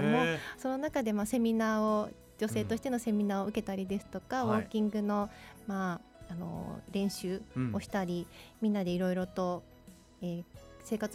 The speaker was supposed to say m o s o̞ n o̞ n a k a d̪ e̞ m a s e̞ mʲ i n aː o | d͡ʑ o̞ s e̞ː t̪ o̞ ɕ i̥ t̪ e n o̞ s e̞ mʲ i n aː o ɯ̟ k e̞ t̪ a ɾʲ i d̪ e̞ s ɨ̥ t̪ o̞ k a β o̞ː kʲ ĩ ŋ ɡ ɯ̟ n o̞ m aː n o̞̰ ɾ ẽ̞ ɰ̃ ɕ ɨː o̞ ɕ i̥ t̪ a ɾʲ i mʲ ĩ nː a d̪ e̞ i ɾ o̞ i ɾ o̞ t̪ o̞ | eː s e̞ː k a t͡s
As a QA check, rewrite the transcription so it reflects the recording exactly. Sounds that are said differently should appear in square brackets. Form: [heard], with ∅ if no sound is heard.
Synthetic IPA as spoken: m o s o̞ n o̞ n a k a d̪ e̞ m a s e̞ mʲ i n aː o | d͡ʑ o̞ s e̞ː t̪ o̞ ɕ i̥ t̪ e n o̞ s e̞ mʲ i n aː o ɯ̟ k e̞ t̪ a ɾʲ i d̪ e̞ s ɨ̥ t̪ o̞ k a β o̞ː kʲ ĩ ŋ ɡ ɯ̟ n o̞ m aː n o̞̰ ɾ ẽ̞ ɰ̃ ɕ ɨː o̞ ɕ i̥ t̪ a ɾʲ i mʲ ĩ nː a d̪ e̞ i ɾ o̞ i ɾ o̞ t̪ o̞ | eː s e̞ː k a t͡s